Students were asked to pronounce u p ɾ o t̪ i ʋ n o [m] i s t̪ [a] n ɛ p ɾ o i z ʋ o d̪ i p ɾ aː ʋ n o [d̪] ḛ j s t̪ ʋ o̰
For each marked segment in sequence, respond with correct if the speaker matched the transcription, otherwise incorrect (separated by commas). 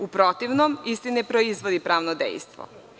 correct, incorrect, correct